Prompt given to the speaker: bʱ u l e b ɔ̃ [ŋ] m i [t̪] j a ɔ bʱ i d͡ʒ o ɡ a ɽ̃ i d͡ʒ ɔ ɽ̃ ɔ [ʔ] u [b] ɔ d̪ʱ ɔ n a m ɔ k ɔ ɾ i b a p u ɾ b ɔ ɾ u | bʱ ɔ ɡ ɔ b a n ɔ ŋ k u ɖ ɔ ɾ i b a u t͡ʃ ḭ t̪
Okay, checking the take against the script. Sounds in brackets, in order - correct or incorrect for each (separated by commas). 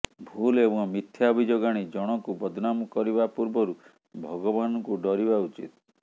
correct, incorrect, incorrect, correct